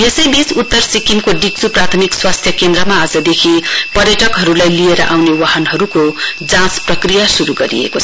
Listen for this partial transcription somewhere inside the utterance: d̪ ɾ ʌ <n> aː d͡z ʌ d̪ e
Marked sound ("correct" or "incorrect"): incorrect